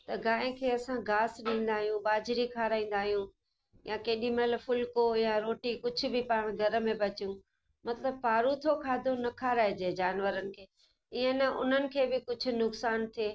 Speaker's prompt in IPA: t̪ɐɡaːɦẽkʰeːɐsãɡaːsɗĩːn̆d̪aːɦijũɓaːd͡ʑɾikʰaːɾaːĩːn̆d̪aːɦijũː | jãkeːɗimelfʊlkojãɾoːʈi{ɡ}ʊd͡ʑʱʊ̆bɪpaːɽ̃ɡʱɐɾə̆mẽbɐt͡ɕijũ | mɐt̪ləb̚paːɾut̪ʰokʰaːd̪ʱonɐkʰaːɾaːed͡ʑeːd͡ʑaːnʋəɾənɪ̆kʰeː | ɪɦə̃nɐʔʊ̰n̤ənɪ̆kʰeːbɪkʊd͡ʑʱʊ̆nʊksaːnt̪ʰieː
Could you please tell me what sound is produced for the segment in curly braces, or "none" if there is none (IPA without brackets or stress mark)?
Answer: k